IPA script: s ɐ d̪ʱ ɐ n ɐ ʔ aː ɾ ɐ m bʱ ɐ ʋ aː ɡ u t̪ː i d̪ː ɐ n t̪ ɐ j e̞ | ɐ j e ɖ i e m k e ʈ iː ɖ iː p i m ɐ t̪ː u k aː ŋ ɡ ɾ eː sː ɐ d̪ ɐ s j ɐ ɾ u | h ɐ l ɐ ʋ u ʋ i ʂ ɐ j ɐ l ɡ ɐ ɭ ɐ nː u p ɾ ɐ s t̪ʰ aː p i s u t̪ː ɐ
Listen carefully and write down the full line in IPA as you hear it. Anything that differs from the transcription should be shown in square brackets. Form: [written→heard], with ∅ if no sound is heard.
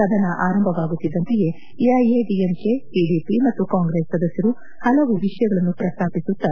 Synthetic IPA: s ɐ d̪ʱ ɐ n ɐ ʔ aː ɾ ɐ m bʱ ɐ ʋ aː ɡ u t̪ː i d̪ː ɐ n t̪ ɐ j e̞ | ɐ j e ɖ i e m k e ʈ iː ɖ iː p i m ɐ t̪ː u k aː ŋ ɡ ɾ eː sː ɐ d̪ ɐ s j ɐ ɾ u | h ɐ l ɐ ʋ u ʋ i ʂ ɐ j ɐ [l→∅] ɡ ɐ ɭ ɐ nː u p ɾ ɐ s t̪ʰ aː p i s u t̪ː ɐ

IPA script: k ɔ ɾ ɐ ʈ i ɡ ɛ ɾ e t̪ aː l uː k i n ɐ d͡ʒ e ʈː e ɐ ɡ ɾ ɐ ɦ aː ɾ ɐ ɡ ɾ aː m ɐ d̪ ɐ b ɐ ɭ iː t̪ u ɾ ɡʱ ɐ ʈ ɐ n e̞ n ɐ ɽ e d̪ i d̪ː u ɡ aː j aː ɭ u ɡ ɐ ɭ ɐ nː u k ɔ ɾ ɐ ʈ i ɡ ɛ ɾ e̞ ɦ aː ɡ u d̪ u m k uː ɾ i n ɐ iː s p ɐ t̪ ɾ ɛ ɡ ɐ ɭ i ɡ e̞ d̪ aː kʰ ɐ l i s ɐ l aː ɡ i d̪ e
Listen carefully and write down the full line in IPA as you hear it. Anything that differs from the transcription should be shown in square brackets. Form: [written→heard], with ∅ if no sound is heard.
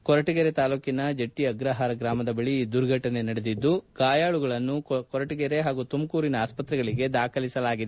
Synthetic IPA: k ɔ ɾ ɐ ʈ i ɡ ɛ ɾ e t̪ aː l uː k i n ɐ d͡ʒ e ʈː [e→i] ɐ ɡ ɾ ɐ ɦ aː ɾ ɐ ɡ ɾ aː m ɐ d̪ ɐ b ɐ ɭ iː [t̪→d̪] u ɾ ɡʱ ɐ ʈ ɐ n e̞ n ɐ ɽ e d̪ i d̪ː u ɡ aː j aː ɭ u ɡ ɐ ɭ ɐ nː u k ɔ ɾ ɐ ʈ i ɡ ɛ ɾ e̞ ɦ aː ɡ u [d̪→t̪] u m k uː ɾ i n ɐ [iː→aː] s p ɐ t̪ ɾ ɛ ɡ ɐ ɭ i ɡ e̞ d̪ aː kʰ ɐ l i s ɐ l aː ɡ i d̪ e

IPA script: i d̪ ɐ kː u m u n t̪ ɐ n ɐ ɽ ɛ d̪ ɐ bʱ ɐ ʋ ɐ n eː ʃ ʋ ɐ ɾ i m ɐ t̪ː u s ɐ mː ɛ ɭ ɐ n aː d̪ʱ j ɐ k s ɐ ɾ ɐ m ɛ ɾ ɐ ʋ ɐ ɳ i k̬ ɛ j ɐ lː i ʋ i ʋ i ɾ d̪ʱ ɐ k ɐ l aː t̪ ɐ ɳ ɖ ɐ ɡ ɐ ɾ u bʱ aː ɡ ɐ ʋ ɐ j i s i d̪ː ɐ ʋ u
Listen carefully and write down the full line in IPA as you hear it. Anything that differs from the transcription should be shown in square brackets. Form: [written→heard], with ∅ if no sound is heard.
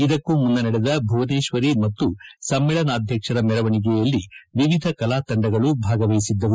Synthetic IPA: i d̪ ɐ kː u m u n [t̪→d̪] ɐ n ɐ ɽ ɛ d̪ ɐ bʱ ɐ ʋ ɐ n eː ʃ ʋ ɐ ɾ i m ɐ t̪ː u s ɐ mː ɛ ɭ ɐ n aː d̪ʱ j ɐ k [s→ʂ] ɐ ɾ ɐ m ɛ ɾ ɐ ʋ ɐ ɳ i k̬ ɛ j ɐ lː i ʋ i ʋ i [ɾ→∅] d̪ʱ ɐ k ɐ l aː t̪ ɐ ɳ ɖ ɐ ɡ ɐ [ɾ→ɭ] u bʱ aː ɡ ɐ ʋ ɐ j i s i d̪ː ɐ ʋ u

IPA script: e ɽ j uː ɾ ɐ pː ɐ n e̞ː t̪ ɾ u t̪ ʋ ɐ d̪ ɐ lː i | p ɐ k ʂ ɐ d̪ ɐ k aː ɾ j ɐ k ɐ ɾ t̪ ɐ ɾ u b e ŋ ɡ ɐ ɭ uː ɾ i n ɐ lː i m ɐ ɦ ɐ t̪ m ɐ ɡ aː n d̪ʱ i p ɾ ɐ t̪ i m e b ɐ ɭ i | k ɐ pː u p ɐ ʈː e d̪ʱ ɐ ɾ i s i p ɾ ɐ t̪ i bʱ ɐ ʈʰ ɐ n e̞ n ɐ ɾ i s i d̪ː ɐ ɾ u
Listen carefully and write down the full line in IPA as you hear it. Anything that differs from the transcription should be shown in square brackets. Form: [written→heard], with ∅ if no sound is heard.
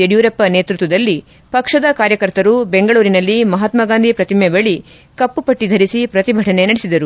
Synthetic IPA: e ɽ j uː ɾ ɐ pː ɐ n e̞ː t̪ ɾ u t̪ ʋ ɐ d̪ ɐ lː i | p ɐ k ʂ ɐ d̪ ɐ k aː ɾ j ɐ k ɐ ɾ t̪ ɐ ɾ u b e ŋ ɡ ɐ ɭ uː ɾ i n ɐ lː i m ɐ ɦ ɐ t̪ m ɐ ɡ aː n d̪ʱ i p ɾ ɐ t̪ i m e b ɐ ɭ i | k ɐ pː u p ɐ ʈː [e→i] d̪ʱ ɐ ɾ i s i p ɾ ɐ t̪ i bʱ ɐ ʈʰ ɐ n e̞ n ɐ [ɾ→ɽ] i s i [d̪ː→d̪] ɐ ɾ u

